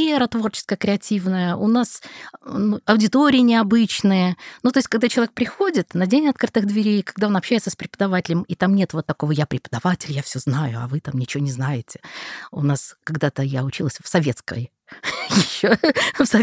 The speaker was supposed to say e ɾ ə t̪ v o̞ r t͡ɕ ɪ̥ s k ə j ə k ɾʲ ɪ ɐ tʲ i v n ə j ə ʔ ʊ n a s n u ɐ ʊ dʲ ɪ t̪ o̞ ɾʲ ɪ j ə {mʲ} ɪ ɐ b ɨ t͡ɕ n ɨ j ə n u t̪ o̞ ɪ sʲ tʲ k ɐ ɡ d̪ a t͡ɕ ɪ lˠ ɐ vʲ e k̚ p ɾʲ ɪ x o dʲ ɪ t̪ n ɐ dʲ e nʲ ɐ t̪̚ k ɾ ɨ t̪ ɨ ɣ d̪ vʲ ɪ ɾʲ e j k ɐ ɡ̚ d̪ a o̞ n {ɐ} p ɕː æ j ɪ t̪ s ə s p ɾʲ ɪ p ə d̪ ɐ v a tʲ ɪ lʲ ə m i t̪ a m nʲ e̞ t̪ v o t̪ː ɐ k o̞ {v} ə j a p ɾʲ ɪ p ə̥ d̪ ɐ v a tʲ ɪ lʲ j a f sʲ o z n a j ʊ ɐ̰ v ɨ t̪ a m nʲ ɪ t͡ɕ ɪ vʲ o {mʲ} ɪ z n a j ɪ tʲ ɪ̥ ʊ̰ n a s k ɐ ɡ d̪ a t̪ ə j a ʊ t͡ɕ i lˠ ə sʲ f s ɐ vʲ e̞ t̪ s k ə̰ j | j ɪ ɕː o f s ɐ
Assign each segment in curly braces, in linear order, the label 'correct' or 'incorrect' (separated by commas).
incorrect, correct, correct, incorrect